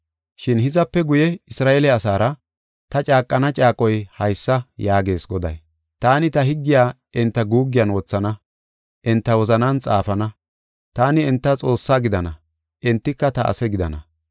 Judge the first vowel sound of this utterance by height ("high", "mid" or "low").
high